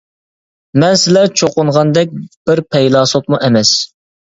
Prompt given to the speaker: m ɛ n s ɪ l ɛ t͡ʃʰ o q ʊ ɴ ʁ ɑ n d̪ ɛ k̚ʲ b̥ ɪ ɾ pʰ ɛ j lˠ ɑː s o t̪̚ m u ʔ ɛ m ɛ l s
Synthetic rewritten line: m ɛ n s ɪ l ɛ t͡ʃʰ o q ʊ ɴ ʁ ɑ n d̪ ɛ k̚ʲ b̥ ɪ ɾ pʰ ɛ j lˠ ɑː s o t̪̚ m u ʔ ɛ m ɛ s